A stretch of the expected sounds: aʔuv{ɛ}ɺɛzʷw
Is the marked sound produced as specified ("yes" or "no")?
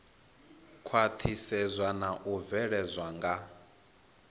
yes